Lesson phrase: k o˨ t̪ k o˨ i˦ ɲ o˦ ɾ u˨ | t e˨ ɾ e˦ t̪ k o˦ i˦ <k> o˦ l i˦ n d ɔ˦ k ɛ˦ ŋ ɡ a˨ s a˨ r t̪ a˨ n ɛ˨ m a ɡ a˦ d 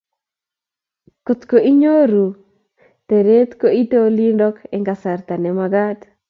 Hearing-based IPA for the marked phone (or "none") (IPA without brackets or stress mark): t